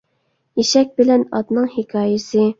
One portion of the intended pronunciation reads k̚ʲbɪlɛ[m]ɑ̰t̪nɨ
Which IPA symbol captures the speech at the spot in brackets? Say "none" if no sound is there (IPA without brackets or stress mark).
n